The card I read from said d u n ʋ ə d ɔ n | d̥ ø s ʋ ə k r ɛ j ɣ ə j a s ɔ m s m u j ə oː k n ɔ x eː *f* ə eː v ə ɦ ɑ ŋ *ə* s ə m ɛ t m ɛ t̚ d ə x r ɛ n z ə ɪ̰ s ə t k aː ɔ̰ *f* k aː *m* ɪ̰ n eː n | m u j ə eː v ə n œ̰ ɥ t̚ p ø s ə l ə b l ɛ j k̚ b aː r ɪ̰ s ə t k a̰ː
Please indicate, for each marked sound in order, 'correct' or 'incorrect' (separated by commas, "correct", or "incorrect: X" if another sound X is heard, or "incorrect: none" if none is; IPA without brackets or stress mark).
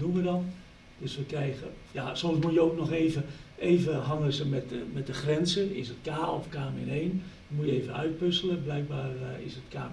incorrect: v, correct, correct, correct